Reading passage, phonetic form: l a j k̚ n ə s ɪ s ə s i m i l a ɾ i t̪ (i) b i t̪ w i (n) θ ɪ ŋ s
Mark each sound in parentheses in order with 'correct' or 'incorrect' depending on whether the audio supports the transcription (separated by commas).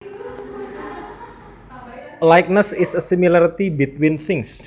correct, correct